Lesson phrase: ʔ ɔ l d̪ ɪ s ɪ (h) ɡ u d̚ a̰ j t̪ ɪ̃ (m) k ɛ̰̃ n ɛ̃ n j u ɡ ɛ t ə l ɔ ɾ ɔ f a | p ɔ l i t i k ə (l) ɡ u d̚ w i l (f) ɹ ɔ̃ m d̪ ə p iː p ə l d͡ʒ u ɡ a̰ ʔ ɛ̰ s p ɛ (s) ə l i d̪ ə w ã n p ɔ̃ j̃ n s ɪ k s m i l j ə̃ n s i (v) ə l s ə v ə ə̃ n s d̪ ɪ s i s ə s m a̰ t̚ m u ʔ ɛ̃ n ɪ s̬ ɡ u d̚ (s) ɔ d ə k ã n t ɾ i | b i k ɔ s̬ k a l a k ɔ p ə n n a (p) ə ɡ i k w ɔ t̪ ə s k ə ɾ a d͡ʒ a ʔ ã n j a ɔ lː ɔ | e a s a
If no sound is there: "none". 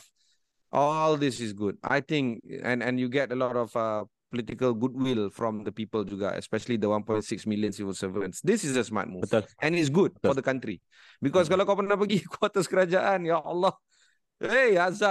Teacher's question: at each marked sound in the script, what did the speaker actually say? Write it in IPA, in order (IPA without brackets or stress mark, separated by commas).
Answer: s, ŋ, l, f, ʃ, v, f, p